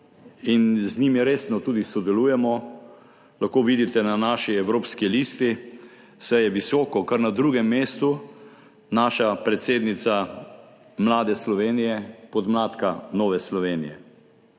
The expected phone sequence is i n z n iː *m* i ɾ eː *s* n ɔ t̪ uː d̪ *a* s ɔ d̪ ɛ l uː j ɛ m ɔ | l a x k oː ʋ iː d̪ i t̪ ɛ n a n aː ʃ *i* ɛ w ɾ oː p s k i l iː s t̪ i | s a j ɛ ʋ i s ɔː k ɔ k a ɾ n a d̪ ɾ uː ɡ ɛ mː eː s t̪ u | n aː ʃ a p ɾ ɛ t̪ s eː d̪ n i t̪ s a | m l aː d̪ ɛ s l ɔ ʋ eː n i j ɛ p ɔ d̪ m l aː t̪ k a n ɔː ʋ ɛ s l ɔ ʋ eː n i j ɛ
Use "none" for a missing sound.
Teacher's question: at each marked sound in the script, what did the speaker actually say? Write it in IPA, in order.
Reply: m, s, i, i

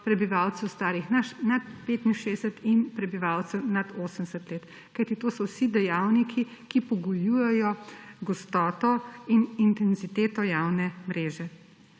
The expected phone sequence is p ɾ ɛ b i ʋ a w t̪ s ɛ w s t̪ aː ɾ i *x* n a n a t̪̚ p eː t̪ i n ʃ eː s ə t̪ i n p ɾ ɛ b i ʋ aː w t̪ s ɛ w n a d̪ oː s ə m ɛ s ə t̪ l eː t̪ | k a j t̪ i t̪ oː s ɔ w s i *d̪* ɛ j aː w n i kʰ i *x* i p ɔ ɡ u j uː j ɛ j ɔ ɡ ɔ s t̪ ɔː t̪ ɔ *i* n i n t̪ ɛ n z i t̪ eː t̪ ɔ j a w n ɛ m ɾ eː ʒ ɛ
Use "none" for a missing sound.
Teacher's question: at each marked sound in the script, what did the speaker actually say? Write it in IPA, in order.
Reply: x, d̪, k, i

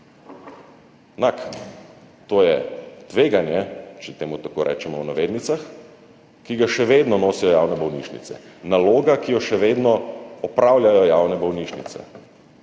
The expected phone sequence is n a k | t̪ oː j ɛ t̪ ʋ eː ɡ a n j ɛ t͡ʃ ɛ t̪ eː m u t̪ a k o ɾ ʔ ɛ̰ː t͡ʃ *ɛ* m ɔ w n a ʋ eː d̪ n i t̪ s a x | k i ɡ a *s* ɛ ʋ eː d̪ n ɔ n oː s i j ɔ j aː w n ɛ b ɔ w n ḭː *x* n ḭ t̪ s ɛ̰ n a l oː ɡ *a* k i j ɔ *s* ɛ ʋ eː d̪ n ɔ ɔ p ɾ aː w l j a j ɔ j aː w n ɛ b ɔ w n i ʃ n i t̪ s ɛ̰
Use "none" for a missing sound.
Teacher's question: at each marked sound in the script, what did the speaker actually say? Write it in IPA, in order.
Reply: ɛ, ʃ, ʃ, a, ʃ

